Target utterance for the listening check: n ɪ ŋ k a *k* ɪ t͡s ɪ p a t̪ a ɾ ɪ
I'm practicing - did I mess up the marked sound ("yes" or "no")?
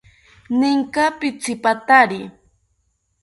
yes